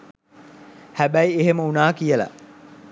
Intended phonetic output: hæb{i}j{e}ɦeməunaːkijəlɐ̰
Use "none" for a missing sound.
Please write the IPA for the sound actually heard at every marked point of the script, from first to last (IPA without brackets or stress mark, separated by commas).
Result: æ, e